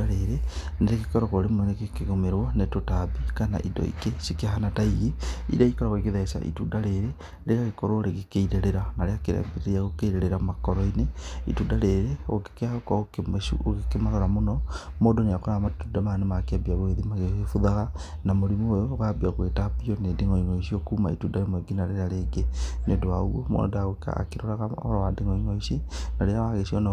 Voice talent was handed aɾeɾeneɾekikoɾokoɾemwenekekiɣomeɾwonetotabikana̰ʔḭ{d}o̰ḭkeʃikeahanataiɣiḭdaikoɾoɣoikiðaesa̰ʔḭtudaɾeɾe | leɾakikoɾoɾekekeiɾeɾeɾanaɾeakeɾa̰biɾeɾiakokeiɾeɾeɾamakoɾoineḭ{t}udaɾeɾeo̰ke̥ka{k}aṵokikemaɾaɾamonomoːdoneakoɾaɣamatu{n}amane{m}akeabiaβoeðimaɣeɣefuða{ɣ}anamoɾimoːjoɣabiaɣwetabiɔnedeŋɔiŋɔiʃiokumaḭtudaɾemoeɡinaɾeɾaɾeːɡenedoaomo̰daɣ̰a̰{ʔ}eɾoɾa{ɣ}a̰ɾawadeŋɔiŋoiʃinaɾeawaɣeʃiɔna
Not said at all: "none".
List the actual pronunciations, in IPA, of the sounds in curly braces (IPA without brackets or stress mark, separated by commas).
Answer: d, t, k, d, m, ɣ, k, ɣ